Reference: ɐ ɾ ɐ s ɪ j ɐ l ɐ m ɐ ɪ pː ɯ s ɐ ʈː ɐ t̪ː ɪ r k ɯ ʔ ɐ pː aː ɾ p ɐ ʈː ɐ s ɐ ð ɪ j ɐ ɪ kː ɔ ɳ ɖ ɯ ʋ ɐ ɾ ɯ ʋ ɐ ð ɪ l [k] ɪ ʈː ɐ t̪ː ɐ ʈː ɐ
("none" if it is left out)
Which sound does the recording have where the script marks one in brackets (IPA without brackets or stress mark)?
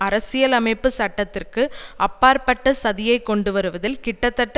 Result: k